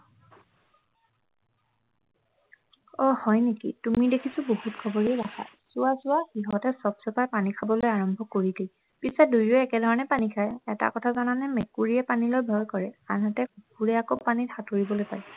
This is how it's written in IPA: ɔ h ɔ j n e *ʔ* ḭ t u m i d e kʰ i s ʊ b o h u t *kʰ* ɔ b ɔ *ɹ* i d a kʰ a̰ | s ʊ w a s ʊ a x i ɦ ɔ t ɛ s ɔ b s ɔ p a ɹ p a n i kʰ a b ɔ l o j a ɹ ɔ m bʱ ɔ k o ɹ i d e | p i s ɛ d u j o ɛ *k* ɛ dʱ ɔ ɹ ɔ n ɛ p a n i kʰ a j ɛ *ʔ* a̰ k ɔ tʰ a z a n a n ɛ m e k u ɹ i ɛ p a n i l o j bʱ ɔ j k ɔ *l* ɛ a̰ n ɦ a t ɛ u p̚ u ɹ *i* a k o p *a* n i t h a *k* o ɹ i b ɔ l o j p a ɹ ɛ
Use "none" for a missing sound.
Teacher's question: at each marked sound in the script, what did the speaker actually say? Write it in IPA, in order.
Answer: k, kʰ, ɹ, k, t, ɹ, ɛ, a, t

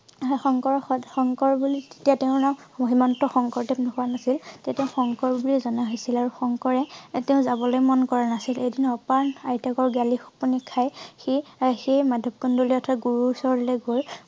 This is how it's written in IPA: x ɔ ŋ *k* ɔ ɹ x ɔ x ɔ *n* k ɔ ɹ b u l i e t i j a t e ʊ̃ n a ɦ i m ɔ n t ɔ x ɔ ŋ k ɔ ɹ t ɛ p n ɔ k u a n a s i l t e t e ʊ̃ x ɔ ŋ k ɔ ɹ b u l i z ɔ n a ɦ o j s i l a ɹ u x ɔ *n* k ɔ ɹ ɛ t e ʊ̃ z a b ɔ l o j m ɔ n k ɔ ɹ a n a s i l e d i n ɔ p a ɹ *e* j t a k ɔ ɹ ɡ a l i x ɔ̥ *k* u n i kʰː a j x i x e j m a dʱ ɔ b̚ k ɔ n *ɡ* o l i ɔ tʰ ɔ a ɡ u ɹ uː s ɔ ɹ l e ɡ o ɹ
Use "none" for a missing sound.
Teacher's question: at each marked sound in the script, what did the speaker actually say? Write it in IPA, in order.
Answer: k, ŋ, ŋ, a, p, d

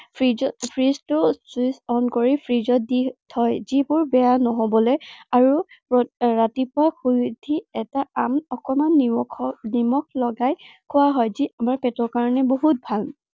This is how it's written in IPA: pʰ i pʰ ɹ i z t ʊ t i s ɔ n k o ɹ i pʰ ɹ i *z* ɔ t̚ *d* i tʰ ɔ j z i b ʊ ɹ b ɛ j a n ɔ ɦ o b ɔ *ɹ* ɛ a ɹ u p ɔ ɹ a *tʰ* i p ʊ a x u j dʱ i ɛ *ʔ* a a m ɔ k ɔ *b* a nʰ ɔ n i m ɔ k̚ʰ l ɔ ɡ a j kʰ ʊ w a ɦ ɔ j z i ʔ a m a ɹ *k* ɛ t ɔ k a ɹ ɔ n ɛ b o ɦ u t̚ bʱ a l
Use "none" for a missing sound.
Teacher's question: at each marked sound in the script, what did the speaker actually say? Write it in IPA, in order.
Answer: z, d, l, t, t, m, p

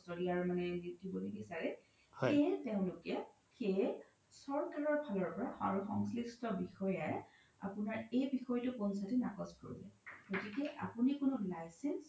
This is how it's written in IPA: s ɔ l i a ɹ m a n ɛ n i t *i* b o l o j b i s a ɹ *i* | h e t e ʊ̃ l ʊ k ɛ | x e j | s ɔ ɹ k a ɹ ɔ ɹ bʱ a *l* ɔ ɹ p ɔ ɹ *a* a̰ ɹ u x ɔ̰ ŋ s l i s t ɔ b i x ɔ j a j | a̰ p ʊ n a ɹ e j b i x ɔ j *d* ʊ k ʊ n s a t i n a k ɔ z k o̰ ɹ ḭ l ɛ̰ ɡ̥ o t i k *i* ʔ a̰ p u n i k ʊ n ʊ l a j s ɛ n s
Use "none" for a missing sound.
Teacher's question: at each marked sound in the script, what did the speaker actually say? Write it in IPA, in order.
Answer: i, ɛ, l, a, t, ɛ

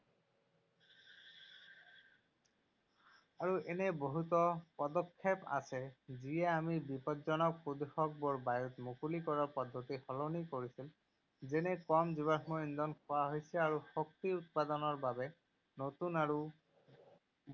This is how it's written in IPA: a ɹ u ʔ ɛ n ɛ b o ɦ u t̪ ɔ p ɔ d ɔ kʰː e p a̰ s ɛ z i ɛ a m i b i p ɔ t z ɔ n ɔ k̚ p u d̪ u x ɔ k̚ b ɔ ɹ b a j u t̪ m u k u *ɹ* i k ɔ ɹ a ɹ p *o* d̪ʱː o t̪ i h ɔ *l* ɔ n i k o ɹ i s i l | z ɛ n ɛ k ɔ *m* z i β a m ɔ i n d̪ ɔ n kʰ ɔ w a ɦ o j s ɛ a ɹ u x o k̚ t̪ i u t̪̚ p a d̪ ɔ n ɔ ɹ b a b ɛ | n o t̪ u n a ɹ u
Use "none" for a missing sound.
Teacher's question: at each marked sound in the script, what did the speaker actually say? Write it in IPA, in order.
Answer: l, ɔ, l, m

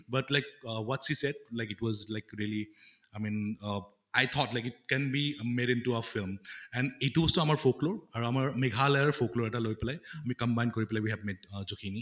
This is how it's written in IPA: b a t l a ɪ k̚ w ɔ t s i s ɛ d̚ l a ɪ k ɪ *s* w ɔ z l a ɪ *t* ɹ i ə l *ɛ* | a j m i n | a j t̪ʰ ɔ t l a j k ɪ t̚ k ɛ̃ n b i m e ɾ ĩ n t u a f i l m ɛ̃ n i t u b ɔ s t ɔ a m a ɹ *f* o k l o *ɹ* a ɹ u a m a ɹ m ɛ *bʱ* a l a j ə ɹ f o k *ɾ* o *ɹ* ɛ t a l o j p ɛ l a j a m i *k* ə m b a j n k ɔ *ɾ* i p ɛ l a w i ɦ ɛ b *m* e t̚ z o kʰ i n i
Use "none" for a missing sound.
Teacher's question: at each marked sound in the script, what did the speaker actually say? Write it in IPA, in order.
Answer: t, k, i, f, ɹ, ɡʱ, l, ɹ, k, ɹ, m

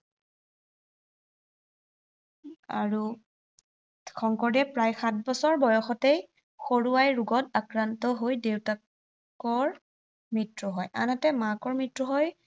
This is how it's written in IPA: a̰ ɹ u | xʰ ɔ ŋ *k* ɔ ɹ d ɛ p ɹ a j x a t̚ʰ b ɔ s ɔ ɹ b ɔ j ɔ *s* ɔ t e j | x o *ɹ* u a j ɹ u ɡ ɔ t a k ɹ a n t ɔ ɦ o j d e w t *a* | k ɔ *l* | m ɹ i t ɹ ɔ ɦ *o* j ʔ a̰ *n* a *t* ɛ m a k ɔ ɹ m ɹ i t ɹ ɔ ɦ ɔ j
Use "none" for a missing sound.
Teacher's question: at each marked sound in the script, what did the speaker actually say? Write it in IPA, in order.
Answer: k, x, ɹ, a, ɹ, ɔ, n, t

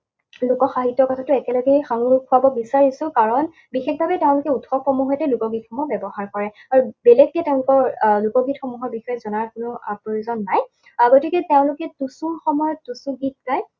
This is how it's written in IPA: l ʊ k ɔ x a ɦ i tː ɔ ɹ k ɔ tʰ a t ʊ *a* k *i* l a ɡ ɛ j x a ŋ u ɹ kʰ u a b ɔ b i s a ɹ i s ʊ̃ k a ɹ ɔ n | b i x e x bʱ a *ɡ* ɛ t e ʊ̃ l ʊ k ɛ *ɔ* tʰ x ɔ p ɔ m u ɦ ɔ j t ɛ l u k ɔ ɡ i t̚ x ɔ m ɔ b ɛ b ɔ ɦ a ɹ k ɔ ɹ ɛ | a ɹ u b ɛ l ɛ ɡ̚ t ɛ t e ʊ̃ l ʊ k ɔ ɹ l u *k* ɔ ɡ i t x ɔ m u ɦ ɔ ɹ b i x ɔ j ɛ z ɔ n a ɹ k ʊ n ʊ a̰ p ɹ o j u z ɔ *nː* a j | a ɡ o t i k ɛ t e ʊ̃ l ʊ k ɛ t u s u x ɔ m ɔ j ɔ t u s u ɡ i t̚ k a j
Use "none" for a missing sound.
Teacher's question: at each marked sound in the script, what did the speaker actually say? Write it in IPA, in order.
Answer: ɛ, ɛ, b, u, k, nː

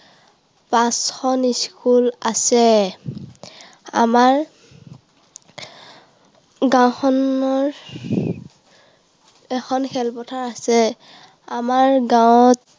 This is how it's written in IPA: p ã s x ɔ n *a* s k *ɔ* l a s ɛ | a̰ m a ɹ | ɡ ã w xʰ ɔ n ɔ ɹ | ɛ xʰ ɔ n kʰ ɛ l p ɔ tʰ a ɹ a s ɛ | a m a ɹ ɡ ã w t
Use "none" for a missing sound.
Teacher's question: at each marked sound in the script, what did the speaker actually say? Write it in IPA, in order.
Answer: i, u

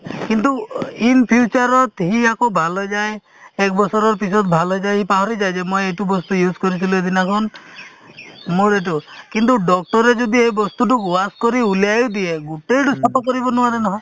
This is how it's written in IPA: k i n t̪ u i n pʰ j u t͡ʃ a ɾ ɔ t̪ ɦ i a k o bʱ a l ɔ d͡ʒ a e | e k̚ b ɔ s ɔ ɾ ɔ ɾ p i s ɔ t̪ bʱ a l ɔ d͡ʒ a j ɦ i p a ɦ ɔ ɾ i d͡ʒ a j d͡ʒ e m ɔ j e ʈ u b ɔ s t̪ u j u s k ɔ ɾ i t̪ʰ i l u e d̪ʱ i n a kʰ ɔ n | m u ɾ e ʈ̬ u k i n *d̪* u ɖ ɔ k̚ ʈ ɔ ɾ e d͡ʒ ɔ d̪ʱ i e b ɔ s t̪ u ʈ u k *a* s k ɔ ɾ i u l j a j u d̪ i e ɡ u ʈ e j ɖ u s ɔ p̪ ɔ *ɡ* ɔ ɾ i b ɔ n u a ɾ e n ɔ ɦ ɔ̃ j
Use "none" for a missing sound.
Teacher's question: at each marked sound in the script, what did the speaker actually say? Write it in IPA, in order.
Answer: t̪, a, k

